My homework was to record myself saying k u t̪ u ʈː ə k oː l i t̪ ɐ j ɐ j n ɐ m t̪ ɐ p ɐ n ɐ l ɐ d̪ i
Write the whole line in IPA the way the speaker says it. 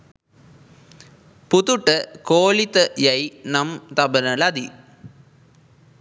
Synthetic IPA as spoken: p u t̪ u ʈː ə k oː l i t̪ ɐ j ɐ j n ɐ m t̪ ɐ b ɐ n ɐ l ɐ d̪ i